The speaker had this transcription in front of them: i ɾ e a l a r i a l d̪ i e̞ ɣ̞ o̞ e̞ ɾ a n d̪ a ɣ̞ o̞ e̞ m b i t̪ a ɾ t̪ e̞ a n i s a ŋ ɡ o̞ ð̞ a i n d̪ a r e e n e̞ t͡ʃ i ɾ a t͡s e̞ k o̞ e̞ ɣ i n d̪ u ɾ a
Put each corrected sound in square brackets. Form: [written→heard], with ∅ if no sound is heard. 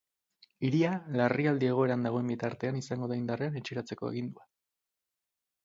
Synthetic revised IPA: i ɾ [e→i] a l a r i a l d̪ i e̞ ɣ̞ o̞ e̞ ɾ a n d̪ a ɣ̞ o̞ e̞ m b i t̪ a ɾ t̪ e̞ a n i s a ŋ ɡ o̞ ð̞ a i n d̪ a r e [e→a] n e̞ t͡ʃ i ɾ a t͡s e̞ k o̞ e̞ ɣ i n d̪ u [ɾ→∅] a